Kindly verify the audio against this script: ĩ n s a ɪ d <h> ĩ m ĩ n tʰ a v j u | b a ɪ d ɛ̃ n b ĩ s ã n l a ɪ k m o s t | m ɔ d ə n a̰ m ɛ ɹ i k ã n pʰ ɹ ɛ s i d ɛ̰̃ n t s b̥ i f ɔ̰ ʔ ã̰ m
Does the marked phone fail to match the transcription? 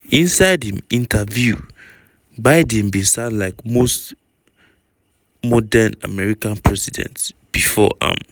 no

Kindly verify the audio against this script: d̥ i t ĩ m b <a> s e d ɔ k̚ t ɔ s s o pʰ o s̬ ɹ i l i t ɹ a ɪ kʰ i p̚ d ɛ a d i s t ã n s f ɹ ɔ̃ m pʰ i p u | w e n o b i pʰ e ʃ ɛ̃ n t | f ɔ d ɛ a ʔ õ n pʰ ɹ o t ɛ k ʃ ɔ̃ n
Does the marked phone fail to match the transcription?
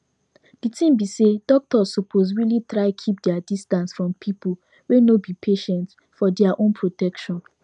yes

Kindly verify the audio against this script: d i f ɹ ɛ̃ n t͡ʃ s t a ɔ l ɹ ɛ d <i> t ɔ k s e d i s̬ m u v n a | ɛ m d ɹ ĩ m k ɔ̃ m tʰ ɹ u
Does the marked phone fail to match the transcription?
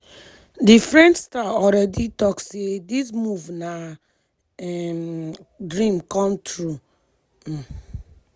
no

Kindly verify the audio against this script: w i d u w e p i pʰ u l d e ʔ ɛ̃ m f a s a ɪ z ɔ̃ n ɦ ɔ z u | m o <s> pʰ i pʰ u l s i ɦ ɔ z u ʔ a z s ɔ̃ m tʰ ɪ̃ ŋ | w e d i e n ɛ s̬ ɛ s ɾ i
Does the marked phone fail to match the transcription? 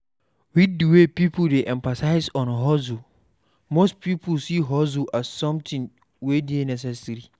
no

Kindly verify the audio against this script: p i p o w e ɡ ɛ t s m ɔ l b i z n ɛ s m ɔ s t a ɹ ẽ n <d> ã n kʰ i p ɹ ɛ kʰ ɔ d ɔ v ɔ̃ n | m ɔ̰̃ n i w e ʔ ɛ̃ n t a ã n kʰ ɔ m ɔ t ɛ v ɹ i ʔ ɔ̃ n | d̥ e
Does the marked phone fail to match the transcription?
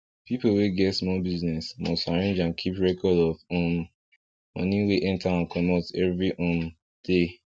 yes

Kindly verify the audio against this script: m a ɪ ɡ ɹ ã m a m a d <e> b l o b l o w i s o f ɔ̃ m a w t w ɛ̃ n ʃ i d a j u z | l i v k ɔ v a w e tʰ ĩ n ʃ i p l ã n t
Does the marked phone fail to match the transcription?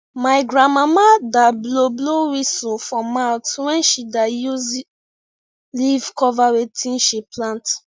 yes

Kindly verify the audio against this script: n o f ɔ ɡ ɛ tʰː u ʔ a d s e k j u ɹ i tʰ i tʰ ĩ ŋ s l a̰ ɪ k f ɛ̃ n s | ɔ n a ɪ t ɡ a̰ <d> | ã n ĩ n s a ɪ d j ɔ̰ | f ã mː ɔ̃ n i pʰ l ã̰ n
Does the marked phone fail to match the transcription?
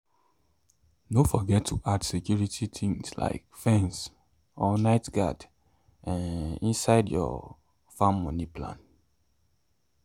no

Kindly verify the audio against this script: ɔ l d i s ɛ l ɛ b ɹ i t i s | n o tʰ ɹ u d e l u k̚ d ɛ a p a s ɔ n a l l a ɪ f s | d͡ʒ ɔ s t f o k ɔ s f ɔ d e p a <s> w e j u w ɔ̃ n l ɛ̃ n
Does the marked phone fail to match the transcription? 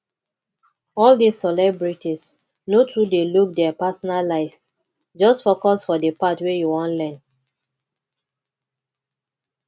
yes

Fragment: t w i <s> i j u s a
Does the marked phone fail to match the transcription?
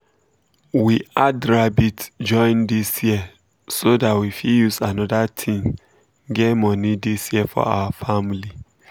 yes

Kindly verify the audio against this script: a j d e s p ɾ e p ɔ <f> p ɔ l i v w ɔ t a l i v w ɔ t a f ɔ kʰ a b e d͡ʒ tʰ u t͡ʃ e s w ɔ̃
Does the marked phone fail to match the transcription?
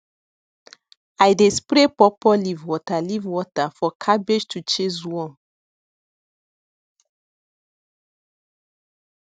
yes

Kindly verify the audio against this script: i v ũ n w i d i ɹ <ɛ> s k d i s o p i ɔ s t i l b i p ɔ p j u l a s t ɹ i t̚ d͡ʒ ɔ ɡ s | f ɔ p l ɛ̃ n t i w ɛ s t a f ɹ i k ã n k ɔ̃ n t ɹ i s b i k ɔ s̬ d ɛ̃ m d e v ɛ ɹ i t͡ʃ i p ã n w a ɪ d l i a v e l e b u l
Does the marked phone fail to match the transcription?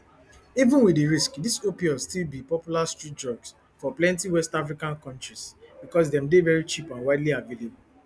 yes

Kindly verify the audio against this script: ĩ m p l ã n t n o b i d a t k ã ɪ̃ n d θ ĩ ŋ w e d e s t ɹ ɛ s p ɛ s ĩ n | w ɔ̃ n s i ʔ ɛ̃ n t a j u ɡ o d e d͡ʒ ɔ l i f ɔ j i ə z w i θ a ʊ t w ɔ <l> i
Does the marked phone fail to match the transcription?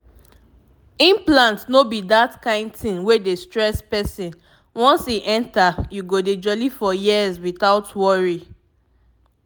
yes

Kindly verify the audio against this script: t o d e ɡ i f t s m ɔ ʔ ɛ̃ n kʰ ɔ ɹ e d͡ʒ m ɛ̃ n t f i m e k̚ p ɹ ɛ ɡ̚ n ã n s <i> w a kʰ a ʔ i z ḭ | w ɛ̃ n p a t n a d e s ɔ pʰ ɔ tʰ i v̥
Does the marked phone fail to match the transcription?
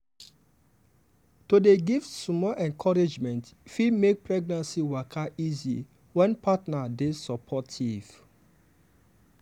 no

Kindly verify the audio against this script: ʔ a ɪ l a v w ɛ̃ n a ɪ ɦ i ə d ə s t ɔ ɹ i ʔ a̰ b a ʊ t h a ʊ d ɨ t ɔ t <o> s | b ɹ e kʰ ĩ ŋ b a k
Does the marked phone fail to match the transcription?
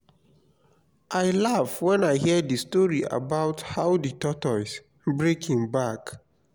yes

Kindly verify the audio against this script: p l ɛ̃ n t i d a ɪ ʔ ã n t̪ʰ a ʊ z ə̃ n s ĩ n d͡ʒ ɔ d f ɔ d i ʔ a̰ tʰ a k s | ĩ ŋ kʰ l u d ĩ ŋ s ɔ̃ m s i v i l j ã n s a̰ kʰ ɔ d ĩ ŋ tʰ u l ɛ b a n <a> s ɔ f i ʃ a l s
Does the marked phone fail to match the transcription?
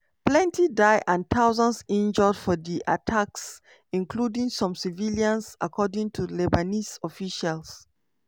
yes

